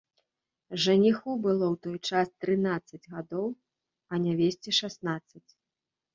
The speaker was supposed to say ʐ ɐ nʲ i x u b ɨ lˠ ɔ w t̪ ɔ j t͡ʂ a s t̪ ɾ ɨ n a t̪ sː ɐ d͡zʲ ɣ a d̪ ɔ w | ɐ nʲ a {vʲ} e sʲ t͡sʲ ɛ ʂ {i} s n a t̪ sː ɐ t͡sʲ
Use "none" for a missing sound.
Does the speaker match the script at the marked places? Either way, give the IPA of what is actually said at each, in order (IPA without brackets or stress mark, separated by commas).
vʲ, a